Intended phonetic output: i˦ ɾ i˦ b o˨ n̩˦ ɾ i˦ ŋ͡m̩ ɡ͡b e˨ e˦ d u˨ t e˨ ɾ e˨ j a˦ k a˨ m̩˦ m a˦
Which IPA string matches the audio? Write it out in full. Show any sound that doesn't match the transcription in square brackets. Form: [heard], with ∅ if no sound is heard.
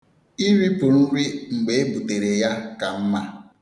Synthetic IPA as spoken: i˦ ɾ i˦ [p] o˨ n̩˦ ɾ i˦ ŋ͡m̩ ɡ͡b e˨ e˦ [b] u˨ t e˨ ɾ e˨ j a˦ k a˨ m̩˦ m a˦

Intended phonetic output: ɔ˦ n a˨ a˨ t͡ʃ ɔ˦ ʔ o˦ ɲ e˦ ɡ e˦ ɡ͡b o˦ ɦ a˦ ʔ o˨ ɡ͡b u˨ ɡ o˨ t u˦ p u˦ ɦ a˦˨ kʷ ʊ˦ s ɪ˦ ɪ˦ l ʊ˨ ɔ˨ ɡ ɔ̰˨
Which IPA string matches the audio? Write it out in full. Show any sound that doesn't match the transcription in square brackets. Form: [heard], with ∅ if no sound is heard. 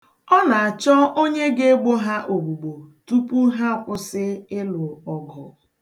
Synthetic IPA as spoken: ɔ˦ n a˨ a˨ t͡ʃ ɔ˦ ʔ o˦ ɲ e˦ ɡ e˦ ɡ͡b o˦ ɦ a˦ ʔ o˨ ɡ͡b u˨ [ɡ͡b] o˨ t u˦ p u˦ ɦ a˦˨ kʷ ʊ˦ s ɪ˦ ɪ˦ l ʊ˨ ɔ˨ ɡ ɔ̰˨

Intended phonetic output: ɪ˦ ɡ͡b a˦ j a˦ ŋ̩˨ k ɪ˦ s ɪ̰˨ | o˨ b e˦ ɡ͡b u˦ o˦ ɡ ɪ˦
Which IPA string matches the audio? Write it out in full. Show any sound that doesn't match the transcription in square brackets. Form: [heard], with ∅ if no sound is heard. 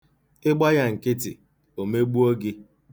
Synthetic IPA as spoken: ɪ˦ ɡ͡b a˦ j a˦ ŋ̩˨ k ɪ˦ [t] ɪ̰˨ | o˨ [m] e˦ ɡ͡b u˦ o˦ ɡ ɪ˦

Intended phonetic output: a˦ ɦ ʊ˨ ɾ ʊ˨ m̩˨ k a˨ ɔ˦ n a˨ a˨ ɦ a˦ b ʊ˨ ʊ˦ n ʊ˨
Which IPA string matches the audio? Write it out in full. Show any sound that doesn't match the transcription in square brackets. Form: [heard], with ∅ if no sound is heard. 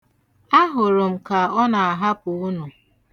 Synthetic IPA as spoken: a˦ ɦ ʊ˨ ɾ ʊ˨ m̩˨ k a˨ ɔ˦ n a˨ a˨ ɦ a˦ [p] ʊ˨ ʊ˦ n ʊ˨

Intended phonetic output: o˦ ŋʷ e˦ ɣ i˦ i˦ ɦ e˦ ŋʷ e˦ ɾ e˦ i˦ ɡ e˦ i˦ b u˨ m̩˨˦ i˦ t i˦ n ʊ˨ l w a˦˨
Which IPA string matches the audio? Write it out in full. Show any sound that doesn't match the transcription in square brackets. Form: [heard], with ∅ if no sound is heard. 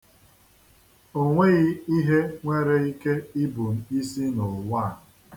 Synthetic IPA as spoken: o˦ ŋʷ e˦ ɣ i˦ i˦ ɦ e˦ ŋʷ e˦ ɾ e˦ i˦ [k] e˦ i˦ b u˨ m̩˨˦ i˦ [s] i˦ n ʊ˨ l w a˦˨

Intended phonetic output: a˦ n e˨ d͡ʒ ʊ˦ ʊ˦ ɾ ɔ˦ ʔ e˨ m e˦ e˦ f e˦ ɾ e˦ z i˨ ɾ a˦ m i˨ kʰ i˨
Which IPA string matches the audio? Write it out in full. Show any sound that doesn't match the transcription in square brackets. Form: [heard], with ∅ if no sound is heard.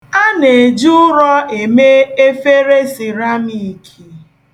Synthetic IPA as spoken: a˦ n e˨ d͡ʒ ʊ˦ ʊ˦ ɾ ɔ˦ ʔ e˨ m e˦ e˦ f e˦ ɾ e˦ [s] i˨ ɾ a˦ m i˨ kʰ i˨

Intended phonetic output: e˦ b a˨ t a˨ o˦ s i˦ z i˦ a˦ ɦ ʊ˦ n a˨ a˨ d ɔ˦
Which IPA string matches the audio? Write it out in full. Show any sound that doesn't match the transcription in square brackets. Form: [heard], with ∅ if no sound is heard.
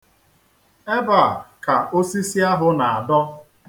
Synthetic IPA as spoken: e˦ b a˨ [k] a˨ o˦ s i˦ [s] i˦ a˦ ɦ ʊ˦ n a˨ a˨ d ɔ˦

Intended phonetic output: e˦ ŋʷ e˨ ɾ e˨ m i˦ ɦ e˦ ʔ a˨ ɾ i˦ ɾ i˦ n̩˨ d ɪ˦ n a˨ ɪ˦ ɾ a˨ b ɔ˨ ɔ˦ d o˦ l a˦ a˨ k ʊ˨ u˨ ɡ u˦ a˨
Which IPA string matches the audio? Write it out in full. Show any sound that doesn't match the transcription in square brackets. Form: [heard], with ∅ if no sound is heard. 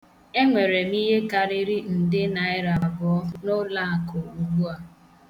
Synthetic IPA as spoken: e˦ ŋʷ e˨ ɾ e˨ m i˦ ɦ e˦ [k] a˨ ɾ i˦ ɾ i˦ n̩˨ d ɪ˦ n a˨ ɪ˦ ɾ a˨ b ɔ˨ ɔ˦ [n] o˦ l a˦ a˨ k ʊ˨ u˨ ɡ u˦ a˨

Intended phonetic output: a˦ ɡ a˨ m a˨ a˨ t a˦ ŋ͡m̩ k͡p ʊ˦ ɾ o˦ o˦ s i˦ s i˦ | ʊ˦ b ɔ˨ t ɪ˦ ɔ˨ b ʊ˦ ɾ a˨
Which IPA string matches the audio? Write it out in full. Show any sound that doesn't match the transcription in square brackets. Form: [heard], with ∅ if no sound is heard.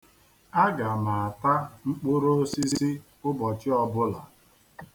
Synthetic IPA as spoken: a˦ ɡ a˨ m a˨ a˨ t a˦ ŋ͡m̩ k͡p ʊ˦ ɾ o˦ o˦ s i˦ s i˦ | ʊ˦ b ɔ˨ [t͡ʃ] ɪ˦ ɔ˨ b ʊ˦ [l] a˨

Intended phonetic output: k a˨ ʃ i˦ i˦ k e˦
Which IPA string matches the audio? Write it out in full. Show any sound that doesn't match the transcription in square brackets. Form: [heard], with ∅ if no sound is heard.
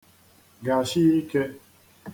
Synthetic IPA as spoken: [ɡ] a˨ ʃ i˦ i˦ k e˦

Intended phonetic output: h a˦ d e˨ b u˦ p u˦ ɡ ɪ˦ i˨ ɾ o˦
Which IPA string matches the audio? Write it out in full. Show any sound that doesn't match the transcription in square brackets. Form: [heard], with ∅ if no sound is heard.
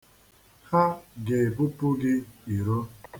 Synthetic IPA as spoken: h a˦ [ɡ] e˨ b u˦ p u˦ ɡ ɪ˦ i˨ ɾ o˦

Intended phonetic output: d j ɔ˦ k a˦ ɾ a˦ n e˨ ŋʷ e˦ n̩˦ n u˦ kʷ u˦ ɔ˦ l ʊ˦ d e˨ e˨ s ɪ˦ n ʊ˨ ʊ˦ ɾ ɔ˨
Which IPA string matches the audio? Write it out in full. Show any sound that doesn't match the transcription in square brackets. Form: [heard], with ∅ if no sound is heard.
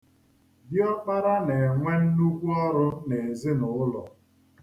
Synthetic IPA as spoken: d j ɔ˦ [k͡p] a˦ ɾ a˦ n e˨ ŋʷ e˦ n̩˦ n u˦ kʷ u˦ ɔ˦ [ɾ] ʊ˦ [n] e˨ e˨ [z] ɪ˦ n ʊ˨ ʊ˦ [l] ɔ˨

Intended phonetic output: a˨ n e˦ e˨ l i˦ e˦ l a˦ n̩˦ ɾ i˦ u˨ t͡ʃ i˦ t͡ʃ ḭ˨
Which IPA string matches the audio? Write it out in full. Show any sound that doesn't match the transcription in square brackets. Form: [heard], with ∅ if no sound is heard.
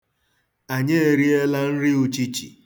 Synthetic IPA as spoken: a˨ [ɲ] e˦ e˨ [ɾ] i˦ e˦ l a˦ n̩˦ ɾ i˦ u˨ t͡ʃ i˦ t͡ʃ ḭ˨

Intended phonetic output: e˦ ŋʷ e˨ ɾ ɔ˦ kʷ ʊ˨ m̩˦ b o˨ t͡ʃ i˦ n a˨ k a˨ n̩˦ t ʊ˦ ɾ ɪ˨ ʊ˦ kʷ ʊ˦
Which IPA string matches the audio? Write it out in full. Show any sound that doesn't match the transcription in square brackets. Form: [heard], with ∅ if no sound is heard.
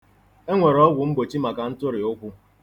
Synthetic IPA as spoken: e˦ ŋʷ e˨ ɾ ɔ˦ [ɡʷ] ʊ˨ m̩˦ b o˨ t͡ʃ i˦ [m] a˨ k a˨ n̩˦ t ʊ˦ ɾ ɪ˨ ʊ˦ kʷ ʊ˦

